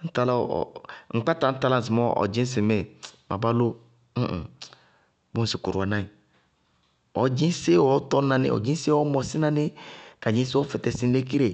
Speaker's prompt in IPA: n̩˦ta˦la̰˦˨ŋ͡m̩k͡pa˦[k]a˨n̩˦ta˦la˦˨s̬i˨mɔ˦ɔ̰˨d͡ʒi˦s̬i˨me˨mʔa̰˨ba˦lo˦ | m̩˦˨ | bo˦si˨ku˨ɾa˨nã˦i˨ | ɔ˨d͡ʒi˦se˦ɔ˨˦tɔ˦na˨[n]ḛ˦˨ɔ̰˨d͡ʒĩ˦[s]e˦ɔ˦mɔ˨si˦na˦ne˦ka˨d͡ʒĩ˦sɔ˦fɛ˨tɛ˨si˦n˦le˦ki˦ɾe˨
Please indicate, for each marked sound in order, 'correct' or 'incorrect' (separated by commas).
incorrect, correct, correct